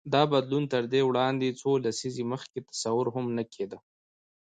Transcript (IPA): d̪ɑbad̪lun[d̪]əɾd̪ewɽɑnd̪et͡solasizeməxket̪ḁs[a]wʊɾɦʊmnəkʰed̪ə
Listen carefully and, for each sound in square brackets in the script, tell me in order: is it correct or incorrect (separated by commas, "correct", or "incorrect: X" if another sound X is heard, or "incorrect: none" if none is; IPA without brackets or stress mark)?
incorrect: t̪, correct